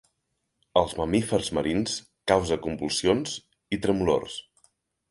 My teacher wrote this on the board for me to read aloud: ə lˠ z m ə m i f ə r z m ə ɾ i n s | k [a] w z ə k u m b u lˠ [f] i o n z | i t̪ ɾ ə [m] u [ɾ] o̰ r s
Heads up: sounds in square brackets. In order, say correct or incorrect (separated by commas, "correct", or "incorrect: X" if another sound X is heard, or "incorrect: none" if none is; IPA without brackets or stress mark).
correct, incorrect: s, correct, incorrect: l